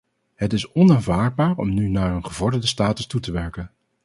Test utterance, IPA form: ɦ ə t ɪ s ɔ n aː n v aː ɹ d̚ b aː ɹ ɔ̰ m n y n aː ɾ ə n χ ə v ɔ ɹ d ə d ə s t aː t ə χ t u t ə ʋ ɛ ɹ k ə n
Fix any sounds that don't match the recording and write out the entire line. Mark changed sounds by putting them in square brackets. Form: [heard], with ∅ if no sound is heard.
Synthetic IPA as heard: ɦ ə t ɪ s ɔ n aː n v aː ɹ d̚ b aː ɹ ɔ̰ m n y n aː [ɹ] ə n χ ə v ɔ ɹ d ə d ə s t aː t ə [s] t u t ə ʋ ɛ ɹ k ə n